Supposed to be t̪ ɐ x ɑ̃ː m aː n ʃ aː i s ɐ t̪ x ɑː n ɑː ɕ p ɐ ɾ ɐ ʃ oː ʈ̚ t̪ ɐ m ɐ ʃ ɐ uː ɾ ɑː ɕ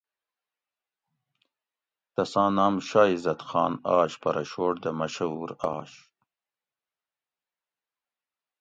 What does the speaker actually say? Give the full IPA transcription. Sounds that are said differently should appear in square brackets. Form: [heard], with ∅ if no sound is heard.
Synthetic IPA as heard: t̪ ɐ [s] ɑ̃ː [n] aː [m] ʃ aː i [z] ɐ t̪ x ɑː n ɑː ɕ p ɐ ɾ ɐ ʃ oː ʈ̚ [d̪] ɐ m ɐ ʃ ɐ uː ɾ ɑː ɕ